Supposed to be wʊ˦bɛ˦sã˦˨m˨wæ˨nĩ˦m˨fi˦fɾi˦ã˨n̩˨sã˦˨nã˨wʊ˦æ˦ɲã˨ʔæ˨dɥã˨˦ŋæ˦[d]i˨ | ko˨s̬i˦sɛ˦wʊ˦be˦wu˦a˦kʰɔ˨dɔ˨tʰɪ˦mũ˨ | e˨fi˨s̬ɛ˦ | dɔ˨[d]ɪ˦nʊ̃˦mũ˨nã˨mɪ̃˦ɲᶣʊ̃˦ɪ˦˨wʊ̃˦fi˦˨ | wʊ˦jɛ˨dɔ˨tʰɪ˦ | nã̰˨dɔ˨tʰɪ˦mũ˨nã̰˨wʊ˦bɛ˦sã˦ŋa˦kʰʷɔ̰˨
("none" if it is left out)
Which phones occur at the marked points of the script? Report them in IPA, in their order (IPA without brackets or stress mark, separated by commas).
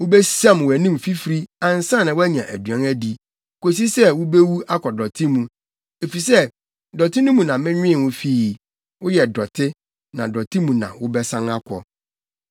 d, t